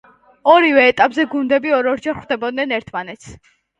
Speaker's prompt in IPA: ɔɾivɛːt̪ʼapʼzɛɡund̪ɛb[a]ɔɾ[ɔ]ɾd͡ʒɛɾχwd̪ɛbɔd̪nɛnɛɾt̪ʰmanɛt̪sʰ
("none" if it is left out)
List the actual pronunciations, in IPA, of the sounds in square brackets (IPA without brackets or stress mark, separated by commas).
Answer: i, ɔ